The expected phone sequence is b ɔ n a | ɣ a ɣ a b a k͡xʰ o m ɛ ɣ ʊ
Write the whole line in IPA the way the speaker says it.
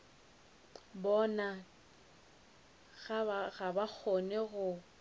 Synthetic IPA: b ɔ n a | ɣ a ɣ a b a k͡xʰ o n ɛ ɣ ʊ